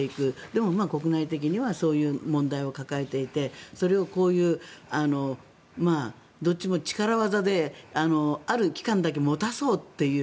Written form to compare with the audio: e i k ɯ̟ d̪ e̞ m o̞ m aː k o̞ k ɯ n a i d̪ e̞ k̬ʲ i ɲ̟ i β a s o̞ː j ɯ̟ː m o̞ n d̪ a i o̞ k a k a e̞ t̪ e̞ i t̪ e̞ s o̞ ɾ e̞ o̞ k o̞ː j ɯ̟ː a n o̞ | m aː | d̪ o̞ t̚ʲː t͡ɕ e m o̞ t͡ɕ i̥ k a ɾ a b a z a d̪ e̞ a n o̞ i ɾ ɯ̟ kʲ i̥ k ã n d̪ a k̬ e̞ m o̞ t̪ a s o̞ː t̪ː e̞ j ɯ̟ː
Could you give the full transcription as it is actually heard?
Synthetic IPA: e i k ɯ̟ d̪ e̞ m o̞ m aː k o̞ k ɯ n a i t̪ e̞ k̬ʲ i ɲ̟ i β a s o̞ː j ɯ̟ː m õ̞ n d̪ a i o̞ k a k a e̞ t̪ e̞ i t̪ e̞ s o̞ ɾ e̞ o̞ k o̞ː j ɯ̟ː a n o̞ | m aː | d̪ o̞ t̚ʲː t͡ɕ i m o̞ t͡ɕ i̥ k a ɾ a β a z a d̪ e̞ a n o̞ a ɾ ɯ̟ kʲ i̥ k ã n d̪ a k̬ e̞ m o̞ t̪ a s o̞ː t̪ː e̞ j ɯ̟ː